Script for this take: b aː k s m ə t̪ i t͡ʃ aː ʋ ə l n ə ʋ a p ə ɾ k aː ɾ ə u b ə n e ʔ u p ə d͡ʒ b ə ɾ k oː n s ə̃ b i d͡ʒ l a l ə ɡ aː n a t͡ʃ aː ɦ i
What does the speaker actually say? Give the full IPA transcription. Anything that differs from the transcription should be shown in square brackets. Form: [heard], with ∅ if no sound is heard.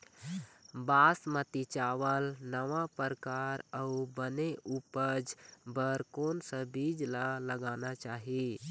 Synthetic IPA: b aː [∅] s m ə t̪ i t͡ʃ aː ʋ ə l n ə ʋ a p ə ɾ k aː ɾ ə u b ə n e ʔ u p ə d͡ʒ b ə ɾ k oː n s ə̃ b i d͡ʒ l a l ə ɡ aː n a t͡ʃ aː ɦ i